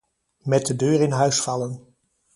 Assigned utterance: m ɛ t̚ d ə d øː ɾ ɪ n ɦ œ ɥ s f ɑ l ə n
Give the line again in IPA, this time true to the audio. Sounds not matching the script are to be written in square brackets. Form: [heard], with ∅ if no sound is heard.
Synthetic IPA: m ɛ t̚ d ə d øː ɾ ɪ n ɦ œ ɥ s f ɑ l ə n